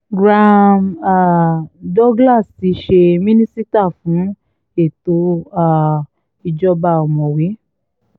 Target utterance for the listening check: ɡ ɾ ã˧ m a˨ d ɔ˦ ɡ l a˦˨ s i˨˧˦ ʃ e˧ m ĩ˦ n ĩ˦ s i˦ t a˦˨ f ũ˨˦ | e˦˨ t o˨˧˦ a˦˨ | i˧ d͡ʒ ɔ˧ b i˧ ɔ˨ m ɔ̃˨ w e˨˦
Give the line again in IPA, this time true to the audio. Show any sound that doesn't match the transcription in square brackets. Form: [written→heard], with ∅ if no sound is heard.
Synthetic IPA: ɡ ɾ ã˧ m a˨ d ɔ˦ ɡ l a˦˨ s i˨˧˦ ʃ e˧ m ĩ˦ n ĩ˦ s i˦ t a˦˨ f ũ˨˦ | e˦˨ t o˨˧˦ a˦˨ | i˧ d͡ʒ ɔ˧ b [i˧→a˧] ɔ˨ m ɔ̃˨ w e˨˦